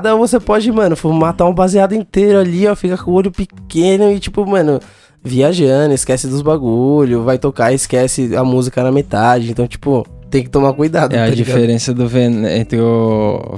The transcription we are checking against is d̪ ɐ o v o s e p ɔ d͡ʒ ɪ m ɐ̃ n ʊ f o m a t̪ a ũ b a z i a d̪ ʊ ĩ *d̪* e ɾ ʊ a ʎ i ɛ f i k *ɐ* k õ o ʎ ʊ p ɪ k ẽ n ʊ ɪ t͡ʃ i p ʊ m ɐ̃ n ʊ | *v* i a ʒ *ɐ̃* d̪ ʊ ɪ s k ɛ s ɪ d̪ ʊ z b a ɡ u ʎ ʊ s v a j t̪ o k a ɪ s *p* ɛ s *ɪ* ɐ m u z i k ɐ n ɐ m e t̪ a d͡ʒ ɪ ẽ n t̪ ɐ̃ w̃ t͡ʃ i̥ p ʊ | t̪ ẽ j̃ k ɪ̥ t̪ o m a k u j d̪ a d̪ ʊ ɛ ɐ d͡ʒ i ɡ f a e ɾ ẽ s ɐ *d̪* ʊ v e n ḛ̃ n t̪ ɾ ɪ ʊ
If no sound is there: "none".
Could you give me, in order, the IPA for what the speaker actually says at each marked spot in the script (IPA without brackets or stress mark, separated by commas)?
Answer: t̪, ɐ, v, ɐ̃, k, ɪ, d̪